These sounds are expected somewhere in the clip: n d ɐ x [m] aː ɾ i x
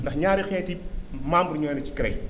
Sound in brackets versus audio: incorrect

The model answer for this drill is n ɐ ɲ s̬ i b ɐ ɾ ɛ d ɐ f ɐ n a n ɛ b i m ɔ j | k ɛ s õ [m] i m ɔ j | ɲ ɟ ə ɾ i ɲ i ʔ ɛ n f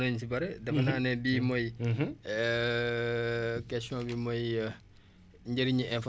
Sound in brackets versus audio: incorrect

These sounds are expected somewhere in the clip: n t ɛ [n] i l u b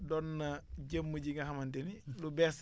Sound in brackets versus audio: correct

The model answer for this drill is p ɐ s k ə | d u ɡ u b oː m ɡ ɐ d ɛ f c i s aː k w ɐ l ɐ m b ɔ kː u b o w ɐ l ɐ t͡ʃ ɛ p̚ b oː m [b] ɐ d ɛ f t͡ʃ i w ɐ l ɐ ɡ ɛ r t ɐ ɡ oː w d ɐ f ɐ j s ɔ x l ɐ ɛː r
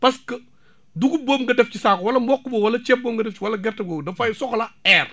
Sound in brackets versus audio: incorrect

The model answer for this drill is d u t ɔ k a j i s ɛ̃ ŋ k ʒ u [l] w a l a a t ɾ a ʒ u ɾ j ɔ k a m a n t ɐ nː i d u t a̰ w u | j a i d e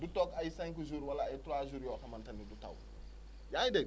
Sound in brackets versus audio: incorrect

